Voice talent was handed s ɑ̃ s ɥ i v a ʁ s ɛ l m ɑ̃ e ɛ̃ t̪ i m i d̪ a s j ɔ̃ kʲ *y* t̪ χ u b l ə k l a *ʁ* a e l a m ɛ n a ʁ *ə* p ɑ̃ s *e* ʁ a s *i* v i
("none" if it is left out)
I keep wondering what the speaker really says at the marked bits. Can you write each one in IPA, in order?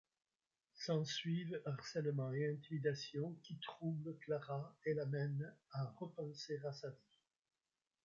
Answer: i, ʁ, ə, e, a

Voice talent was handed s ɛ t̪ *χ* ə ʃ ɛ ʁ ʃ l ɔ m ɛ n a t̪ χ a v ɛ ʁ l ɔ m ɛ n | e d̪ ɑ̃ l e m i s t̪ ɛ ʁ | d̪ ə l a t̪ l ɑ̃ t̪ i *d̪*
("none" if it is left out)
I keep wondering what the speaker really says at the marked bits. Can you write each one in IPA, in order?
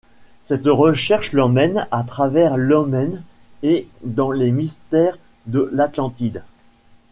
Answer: ʁ, d̪

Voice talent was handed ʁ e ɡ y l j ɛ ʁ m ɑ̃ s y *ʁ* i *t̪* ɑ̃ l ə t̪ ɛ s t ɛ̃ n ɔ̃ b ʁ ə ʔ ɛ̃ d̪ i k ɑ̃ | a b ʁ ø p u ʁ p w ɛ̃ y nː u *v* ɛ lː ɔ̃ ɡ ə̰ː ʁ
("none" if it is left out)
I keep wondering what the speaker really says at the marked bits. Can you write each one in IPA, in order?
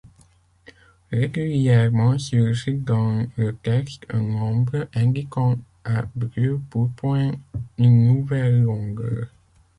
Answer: ʒ, d̪, v

